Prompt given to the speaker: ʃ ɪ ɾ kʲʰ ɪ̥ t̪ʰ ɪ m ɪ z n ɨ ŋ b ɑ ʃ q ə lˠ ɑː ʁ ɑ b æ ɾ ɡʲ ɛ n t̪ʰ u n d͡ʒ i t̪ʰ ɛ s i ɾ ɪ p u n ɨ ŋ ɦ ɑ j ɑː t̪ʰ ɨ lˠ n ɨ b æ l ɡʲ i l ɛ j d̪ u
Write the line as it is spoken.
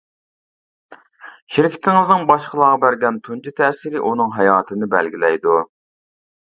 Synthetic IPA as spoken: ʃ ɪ ɾ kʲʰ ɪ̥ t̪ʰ ɪ ŋ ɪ z n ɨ ŋ b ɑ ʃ q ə lˠ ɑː ʁ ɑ b æ ɾ ɡʲ ɛ n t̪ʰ u n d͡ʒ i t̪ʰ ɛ s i ɾ ɪ ʔ u n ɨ ŋ ɦ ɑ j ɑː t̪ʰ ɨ n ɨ b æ l ɡʲ i l ɛ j d̪ u

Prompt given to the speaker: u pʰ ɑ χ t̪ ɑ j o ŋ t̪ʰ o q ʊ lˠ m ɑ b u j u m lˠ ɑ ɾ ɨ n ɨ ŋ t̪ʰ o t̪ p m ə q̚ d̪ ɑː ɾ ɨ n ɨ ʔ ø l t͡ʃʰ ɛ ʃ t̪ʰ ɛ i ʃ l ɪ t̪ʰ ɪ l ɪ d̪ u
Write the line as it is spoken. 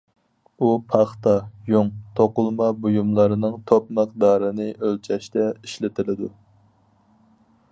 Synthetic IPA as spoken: u pʰ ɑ χ t̪ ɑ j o ŋ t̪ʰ o q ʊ lˠ m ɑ b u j u m lˠ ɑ ɾ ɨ n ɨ ŋ t̪ʰ o p m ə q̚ d̪ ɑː ɾ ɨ n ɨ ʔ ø l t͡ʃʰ ɛ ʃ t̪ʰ ɛ i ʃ l ɪ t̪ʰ ɪ l ɪ d̪ u

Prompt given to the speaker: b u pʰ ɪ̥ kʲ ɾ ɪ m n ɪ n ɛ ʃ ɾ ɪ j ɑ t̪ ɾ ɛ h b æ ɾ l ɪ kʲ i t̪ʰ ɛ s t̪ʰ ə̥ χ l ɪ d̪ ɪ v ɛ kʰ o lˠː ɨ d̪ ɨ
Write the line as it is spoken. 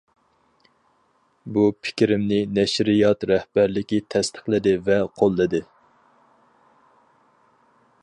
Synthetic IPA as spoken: b u pʰ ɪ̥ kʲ ɾ ɪ m n ɪ n ɛ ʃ ɾ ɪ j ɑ t̪ ɾ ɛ h b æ ɾ l ɪ kʲ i t̪ʰ ɛ s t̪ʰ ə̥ χ l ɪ d̪ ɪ v ɛ qʰ o lˠː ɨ d̪ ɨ

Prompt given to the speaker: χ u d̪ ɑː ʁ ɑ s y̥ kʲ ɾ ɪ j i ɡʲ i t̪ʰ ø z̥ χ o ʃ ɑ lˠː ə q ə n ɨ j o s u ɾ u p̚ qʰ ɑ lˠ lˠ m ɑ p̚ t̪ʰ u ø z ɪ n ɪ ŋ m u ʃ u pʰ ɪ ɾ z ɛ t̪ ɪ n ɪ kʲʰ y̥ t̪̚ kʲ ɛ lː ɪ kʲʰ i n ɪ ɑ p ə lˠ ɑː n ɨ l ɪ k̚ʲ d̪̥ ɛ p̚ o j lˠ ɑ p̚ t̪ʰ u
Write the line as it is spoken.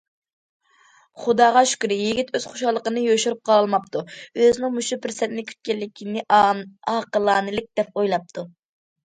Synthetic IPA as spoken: χ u d̪ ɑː ʁ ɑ ʃ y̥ kʲ ɾ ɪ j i ɡʲ i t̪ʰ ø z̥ χ o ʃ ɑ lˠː ə q ə n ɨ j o ʃ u ɾ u p̚ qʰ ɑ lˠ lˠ m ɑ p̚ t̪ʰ u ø z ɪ n ɪ ŋ m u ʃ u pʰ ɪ ɾ s ɛ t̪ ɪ n ɪ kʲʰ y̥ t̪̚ kʲ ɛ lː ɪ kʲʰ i n ɪ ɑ q ə lˠ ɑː n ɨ l ɪ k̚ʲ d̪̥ ɛ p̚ o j lˠ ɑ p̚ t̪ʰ u

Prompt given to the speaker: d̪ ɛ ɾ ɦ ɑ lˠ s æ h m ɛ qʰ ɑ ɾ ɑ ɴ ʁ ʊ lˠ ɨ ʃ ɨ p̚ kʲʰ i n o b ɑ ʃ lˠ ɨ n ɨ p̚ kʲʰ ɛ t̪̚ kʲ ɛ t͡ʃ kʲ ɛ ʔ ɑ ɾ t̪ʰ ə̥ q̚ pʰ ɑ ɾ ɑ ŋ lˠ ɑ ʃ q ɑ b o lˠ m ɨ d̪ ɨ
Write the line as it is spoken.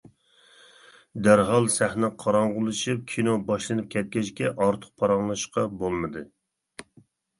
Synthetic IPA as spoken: d̪ æ ɾ ɦ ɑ lˠ s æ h n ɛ qʰ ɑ ɾ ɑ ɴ ʁ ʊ lˠ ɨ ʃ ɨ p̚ kʲʰ i n o b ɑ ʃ lˠ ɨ n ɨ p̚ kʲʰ ɛ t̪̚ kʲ ɛ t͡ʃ kʲ ɛ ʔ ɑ ɾ t̪ʰ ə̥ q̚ pʰ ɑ ɾ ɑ ŋ lˠ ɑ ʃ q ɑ b o lˠ m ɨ d̪ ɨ

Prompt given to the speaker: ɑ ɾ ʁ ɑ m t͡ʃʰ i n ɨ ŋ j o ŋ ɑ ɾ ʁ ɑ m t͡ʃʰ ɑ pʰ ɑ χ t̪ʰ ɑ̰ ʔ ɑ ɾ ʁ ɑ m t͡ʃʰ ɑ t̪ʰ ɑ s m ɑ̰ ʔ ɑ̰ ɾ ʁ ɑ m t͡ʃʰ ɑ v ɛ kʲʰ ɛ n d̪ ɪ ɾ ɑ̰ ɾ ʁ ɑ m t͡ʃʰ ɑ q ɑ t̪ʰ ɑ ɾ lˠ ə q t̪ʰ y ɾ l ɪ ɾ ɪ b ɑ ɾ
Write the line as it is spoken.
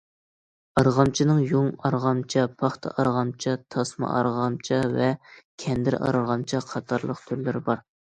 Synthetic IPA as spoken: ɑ ɾ ʁ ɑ m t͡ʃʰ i n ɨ ŋ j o ŋ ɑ ɾ ʁ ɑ m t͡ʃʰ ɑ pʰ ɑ χ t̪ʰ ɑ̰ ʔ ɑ ɾ ʁ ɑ m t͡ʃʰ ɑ t̪ʰ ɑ s m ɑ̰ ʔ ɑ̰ ɾ ʁ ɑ m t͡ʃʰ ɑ v ɛ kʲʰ ɛ n d̪ ɪ ɾ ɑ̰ ɾ ʁ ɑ m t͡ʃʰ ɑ qʰ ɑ t̪ʰ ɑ ɾ lˠ ə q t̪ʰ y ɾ l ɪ ɾ ɪ b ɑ ɾ

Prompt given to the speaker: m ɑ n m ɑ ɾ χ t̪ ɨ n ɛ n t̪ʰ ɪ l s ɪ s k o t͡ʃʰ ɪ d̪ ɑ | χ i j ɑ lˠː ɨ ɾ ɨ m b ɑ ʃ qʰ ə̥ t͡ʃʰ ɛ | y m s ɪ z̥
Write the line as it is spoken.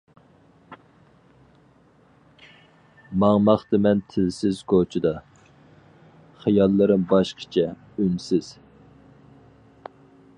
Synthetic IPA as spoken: m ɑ ŋ m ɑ χ t̪ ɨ m ɛ n t̪ʰ ɪ l s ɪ z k o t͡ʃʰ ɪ d̪ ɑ | χ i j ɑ lˠː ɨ ɾ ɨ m b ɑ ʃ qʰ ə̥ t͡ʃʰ ɛ | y n s ɪ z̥

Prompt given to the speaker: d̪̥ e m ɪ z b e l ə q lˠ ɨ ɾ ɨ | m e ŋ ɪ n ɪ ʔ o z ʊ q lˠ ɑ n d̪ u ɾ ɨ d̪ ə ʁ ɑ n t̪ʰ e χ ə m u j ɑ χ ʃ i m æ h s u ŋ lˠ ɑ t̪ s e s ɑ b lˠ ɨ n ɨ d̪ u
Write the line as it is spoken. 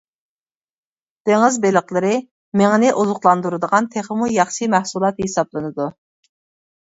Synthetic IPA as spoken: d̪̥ e ŋ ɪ z b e l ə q lˠ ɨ ɾ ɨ | m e ŋ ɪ n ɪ ʔ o z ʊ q lˠ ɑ n d̪ u ɾ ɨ d̪ ə ʁ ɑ n t̪ʰ e χ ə m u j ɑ χ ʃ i m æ h s u lˠ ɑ t̪ h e s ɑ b lˠ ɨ n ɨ d̪ u

